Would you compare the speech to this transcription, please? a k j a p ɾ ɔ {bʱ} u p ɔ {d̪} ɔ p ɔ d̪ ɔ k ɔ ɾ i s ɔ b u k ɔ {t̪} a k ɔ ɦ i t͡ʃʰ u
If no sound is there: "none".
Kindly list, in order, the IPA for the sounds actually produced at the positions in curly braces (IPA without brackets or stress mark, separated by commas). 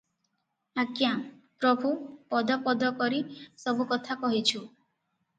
bʱ, d̪, t̪ʰ